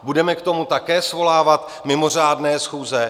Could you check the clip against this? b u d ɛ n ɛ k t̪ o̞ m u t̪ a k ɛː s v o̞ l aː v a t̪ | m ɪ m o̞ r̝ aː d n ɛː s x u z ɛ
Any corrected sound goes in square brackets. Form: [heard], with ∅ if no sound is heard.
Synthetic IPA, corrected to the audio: b u d ɛ [m] ɛ k t̪ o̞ m u t̪ a k ɛː s v o̞ l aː v a t̪ | m ɪ m o̞ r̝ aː d n ɛː s x [uː] z ɛ